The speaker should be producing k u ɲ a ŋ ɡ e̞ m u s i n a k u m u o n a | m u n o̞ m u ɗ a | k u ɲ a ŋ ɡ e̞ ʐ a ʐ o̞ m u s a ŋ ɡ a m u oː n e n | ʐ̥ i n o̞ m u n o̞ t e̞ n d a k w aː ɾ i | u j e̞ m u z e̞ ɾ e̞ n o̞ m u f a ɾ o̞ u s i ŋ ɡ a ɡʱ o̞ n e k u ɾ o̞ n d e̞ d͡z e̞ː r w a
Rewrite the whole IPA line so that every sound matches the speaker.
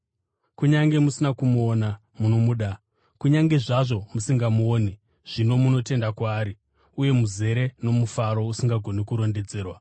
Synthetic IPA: k u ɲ a ŋ ɡ e̞ m u s i n a k u m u o n a | m u n o̞ m u ɗ a | k u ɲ a ŋ ɡ e̞ ʐ a ʐ o̞ m u s i ŋ ɡ a m u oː n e | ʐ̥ i n o̞ m u n o̞ t e̞ n d a k w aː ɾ i | u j e̞ m u z e̞ ɾ e̞ n o̞ m u f a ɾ o̞ u s i ŋ ɡ a ɡʱ o̞ n e k u ɾ o̞ n d e̞ d͡z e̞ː r w a